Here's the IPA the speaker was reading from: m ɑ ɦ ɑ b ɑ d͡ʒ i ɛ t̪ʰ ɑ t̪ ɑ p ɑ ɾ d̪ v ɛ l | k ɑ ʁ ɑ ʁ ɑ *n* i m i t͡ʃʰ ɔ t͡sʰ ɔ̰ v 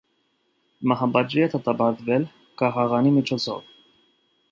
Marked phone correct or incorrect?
correct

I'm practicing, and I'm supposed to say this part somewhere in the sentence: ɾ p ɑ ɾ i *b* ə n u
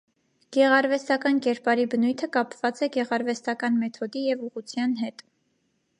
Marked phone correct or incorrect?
correct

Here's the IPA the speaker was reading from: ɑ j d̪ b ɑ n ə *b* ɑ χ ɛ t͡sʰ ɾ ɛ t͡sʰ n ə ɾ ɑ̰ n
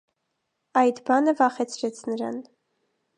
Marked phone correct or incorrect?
incorrect: v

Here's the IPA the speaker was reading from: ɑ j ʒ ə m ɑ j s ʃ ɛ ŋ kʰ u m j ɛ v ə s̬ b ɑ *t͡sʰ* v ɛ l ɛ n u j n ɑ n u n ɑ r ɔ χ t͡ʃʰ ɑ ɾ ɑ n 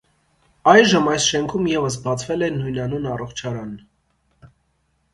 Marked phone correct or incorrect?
correct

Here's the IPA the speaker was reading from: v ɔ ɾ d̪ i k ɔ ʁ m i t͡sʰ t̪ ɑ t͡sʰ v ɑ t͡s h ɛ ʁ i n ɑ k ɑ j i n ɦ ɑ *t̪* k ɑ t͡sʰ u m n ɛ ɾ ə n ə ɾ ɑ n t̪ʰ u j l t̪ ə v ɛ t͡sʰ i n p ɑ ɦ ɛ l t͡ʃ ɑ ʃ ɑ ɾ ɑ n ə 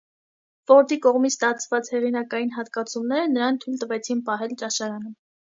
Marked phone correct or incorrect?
correct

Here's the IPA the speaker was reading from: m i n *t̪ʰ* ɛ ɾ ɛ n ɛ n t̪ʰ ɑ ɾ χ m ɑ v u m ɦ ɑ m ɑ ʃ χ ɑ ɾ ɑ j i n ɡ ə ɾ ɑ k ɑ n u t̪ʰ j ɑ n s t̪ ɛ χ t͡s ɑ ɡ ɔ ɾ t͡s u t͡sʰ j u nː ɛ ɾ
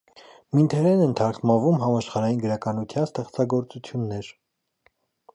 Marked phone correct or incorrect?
correct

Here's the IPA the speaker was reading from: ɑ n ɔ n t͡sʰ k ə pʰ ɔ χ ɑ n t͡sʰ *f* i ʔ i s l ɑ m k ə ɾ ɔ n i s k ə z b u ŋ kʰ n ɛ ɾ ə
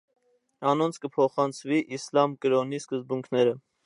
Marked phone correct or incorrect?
incorrect: v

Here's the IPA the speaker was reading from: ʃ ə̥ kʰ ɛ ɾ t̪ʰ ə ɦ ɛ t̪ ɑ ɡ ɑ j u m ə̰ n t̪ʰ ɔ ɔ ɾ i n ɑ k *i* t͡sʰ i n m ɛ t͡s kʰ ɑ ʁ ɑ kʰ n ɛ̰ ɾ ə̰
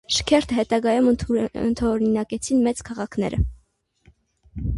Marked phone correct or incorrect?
incorrect: ɛ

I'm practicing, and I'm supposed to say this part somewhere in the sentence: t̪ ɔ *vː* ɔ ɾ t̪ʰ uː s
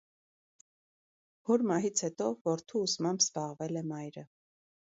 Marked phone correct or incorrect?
incorrect: v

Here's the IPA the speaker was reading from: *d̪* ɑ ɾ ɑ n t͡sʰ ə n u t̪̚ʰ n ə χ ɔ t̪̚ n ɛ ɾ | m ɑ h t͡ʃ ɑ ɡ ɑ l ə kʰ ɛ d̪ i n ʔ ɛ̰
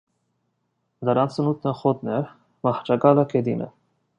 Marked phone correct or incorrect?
correct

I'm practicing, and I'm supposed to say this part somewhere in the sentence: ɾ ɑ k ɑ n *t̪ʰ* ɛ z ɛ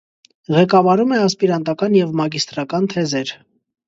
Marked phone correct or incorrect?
correct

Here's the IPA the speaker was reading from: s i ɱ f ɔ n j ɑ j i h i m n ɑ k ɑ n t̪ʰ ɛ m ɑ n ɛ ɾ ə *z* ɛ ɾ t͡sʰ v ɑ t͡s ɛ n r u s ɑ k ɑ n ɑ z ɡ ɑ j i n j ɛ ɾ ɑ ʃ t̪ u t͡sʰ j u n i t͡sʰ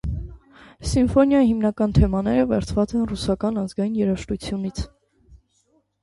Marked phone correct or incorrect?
incorrect: v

